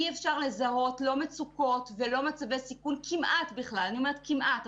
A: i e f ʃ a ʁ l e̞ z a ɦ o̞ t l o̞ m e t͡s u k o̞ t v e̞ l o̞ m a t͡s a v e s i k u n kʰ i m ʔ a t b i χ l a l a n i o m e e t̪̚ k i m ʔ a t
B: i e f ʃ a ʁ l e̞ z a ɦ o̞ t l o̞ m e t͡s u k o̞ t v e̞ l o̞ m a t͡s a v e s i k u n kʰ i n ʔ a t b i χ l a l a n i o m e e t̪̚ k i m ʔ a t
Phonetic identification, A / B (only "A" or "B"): A